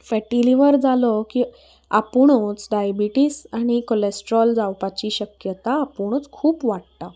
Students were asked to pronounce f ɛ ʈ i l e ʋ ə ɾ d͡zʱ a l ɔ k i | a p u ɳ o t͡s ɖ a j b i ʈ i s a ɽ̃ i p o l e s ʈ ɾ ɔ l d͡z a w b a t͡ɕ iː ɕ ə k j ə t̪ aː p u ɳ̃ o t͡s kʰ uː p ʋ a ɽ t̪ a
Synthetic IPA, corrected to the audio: f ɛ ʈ i l i ʋ ə ɾ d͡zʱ a l ɔ k i | a p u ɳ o t͡s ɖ a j b i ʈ i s a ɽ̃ i k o l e s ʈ ɾ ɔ l d͡z a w p a t͡ɕ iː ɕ ə k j ə t̪ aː p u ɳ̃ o t͡s kʰ uː p ʋ a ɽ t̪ a